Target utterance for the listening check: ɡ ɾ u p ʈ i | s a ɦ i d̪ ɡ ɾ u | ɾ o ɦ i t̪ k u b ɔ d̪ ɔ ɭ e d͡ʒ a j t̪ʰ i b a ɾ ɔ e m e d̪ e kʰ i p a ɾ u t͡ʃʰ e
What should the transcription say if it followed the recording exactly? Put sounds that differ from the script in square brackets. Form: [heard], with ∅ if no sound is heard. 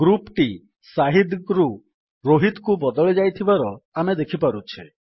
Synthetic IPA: ɡ ɾ u p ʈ i | s a ɦ i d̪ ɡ ɾ u | ɾ o ɦ i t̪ k u b ɔ d̪ ɔ ɭ e d͡ʒ a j t̪ʰ i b a ɾ ɔ [a] m e d̪ e kʰ i p a ɾ u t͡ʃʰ e